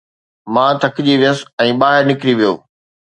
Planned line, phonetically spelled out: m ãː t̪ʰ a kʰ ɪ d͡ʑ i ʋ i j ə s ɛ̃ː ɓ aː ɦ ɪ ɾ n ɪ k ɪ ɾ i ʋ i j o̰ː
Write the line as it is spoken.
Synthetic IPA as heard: m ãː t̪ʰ ɐ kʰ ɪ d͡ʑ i ʋ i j ə s ɛ̃ː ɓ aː ɦ ɪ ɾ n ɪ k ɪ ɾ i ʋ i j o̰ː